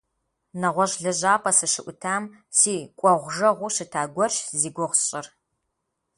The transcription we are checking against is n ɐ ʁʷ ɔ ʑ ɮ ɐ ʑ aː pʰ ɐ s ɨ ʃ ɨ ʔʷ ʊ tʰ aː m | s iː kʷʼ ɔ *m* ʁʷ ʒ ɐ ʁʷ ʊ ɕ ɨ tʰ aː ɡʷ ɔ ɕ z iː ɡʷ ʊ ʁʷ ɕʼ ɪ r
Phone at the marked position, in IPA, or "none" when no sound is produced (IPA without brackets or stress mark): none